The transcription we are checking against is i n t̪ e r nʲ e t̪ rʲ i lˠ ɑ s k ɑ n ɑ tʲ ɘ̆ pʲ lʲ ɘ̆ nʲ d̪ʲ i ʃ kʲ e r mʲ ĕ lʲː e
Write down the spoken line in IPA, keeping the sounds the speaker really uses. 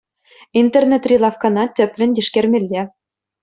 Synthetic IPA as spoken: i n t̪ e r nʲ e t̪ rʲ i lˠ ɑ f k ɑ n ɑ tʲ ɘ̆ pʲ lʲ ɘ̆ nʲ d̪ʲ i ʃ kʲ e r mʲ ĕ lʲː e